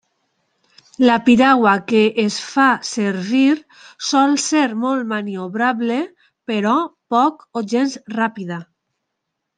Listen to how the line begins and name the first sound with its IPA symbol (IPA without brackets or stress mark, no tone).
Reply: l